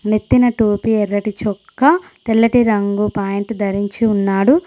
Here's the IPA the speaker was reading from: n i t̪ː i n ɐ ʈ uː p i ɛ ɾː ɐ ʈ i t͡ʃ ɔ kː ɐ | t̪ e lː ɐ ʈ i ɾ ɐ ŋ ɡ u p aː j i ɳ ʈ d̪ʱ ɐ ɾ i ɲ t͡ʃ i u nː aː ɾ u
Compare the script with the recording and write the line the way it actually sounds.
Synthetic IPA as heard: n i t̪ː i n ɐ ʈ uː p i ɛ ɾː ɐ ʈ i t͡ʃ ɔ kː ɐ | t̪ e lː ɐ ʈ i ɾ ɐ ŋ ɡ u p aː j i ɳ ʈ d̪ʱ ɐ ɾ i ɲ t͡ʃ i u nː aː ɽ u